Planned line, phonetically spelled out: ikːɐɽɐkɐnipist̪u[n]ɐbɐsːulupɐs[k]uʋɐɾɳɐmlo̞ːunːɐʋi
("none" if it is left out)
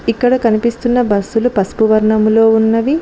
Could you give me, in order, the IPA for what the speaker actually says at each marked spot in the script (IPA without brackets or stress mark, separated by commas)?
nː, p